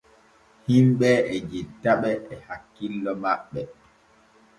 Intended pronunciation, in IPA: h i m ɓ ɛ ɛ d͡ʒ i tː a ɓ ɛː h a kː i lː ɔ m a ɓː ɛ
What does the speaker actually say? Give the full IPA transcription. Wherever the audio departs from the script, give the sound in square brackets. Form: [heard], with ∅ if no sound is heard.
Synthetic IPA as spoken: h i m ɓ ɛ ɛ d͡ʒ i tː a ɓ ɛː h a kː i lː ɔ m a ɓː ɛ